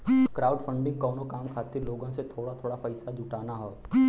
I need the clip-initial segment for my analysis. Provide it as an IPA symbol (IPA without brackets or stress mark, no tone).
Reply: k